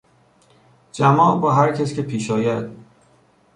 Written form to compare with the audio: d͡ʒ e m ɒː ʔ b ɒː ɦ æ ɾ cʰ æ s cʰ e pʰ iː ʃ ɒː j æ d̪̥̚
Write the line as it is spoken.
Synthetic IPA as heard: d͡ʒ æ m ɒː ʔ b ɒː ɦ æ ɾ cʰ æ s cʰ e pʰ iː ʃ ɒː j æ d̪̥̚